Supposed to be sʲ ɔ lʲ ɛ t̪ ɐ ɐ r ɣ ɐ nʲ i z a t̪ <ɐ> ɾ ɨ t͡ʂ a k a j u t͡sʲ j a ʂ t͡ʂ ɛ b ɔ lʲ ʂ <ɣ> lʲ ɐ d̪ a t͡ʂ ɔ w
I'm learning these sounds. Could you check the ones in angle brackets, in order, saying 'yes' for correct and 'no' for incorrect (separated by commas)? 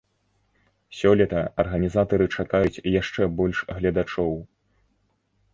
yes, yes